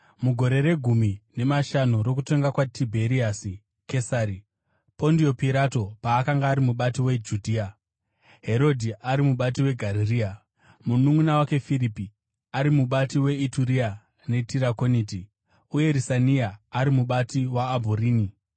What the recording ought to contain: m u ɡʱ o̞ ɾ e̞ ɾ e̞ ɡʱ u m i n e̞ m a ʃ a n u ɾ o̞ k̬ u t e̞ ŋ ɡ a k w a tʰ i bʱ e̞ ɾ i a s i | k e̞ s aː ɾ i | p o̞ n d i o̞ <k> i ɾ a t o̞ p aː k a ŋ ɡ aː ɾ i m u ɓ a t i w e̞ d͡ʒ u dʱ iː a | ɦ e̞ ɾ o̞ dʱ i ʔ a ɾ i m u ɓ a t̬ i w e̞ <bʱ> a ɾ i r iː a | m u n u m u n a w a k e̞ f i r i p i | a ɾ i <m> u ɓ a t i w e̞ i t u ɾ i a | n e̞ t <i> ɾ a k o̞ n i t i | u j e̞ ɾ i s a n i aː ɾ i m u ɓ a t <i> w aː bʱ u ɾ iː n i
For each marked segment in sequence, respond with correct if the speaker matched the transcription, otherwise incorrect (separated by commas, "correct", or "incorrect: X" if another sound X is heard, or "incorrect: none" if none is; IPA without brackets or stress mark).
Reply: incorrect: p, incorrect: ɡʱ, correct, correct, correct